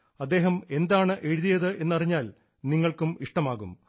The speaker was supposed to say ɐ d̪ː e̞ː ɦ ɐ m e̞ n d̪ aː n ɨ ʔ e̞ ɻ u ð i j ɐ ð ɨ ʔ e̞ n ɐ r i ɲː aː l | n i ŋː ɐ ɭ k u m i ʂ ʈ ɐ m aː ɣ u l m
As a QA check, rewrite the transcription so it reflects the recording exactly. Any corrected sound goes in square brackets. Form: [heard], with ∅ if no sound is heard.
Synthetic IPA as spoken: ɐ d̪ː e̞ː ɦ ɐ m e̞ n d̪ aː [ɳ] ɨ ʔ e̞ ɻ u ð i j ɐ ð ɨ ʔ e̞ [nː] ɐ r i ɲː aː l | n i ŋː ɐ ɭ k u m i ʂ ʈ ɐ m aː ɣ u [∅] m